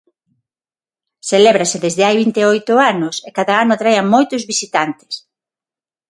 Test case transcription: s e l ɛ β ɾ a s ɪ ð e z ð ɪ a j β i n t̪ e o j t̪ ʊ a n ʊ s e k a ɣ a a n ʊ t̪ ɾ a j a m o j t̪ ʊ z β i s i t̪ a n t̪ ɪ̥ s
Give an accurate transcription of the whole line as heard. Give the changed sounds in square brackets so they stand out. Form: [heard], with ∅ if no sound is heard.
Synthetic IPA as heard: s e l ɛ β ɾ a s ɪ ð e z ð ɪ a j β i n t̪ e o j t̪ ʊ a n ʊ s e k a [ð] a a n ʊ t̪ ɾ a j a m o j t̪ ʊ z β i s i t̪ a n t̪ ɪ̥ s